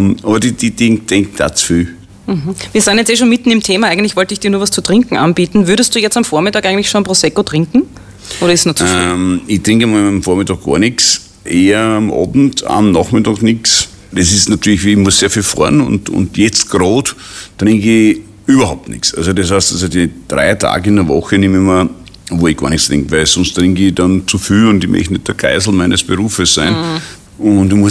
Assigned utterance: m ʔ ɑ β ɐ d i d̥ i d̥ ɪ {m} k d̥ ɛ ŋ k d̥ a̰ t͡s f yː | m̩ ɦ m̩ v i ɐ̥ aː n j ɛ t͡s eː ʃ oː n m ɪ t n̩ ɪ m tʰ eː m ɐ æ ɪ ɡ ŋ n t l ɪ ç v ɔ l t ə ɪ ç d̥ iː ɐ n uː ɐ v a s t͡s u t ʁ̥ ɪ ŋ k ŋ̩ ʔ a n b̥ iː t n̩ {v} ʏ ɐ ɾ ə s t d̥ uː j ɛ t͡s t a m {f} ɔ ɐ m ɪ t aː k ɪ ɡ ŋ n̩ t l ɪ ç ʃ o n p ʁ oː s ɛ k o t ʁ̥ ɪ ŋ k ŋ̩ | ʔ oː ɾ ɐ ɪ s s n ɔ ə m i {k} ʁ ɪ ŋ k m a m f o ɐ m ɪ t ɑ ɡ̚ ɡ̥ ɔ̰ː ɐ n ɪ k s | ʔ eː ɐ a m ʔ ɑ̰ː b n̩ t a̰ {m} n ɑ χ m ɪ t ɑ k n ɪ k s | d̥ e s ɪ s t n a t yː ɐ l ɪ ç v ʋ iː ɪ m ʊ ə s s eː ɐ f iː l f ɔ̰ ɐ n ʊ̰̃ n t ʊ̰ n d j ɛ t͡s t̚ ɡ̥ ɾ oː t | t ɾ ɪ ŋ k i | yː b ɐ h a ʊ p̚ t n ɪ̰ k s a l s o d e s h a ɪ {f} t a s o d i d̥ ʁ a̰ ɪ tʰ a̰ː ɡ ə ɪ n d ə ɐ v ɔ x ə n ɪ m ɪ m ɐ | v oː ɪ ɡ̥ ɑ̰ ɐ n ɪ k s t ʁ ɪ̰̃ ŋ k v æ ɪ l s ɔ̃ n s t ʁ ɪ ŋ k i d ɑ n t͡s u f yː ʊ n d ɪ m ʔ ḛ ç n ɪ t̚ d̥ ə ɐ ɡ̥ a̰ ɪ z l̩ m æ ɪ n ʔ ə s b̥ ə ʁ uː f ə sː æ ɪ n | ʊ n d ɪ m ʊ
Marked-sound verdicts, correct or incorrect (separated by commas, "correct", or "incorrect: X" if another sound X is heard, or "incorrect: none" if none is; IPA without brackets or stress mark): incorrect: ŋ, correct, correct, incorrect: t, correct, incorrect: s